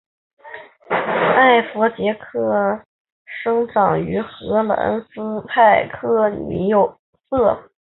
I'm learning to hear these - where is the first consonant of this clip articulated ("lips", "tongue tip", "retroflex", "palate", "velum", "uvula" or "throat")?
lips